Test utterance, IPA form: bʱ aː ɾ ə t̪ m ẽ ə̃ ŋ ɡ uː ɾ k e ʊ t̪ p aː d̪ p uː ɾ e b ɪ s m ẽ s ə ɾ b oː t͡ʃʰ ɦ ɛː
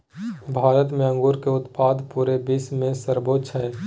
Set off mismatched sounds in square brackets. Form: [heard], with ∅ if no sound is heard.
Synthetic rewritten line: bʱ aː ɾ ə t̪ m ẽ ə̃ ŋ ɡ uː ɾ k e ʊ t̪ p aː d̪ p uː ɾ e b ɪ s m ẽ s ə ɾ b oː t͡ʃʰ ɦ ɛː